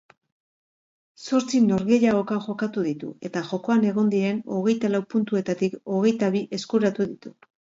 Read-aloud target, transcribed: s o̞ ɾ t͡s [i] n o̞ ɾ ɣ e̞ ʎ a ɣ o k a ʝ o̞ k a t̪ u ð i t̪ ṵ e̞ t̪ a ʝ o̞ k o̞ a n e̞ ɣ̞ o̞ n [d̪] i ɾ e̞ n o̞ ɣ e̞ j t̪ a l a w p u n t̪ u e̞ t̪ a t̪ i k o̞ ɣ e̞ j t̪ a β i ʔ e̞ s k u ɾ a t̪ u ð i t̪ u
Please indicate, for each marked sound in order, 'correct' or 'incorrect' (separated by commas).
correct, correct